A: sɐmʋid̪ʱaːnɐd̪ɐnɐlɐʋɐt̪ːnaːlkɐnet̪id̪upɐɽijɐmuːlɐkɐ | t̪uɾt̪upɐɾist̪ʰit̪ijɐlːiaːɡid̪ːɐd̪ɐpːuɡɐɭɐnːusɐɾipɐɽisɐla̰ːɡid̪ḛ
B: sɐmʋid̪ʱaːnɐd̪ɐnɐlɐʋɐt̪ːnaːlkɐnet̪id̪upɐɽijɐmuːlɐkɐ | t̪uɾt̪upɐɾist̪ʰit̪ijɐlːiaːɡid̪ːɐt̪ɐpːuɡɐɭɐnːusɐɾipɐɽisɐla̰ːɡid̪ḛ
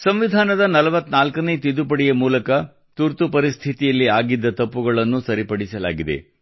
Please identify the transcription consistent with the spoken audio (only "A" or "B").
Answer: B